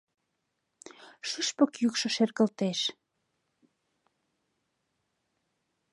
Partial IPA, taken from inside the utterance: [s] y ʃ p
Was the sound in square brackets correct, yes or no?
no